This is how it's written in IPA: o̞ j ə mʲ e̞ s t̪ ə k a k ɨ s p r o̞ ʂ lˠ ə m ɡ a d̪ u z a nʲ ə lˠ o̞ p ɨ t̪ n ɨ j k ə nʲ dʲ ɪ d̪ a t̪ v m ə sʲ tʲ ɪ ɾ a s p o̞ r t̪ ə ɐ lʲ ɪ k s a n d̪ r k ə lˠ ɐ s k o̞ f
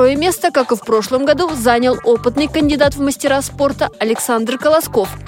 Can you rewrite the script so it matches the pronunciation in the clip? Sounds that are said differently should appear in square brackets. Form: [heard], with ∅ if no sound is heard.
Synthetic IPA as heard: o̞ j ə mʲ e̞ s t̪ ə k a k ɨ [f] p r o̞ ʂ lˠ ə m ɡ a d̪ u z a nʲ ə lˠ o̞ p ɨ t̪ n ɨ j k ə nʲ dʲ ɪ d̪ a t̪ v m ə sʲ tʲ ɪ ɾ a s p o̞ r t̪ ə ɐ lʲ ɪ k s a n d̪ r k ə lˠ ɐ s k o̞ f